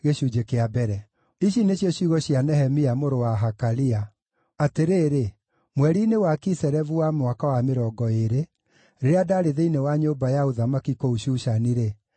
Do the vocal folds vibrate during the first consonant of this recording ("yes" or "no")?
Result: yes